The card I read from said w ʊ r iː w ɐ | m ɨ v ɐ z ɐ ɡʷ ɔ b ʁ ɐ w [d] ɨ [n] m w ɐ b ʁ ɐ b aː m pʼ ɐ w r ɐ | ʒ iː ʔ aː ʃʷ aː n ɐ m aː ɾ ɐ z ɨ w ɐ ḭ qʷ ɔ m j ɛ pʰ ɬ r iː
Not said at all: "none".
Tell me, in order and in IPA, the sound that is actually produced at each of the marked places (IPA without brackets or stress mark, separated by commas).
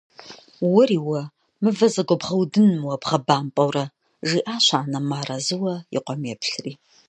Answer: d, n